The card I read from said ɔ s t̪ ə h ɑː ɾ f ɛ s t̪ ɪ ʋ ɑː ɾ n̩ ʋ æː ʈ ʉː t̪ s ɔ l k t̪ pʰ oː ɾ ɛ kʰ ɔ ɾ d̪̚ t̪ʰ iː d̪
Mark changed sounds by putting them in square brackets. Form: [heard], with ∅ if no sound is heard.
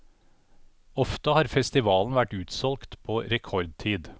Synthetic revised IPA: ɔ [f] t̪ ə h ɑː ɾ f ɛ s t̪ ɪ ʋ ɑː [l] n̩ ʋ [æ] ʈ ʉː t̪ s ɔ l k t̪ pʰ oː ɾ ɛ kʰ ɔ ɾ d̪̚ t̪ʰ iː d̪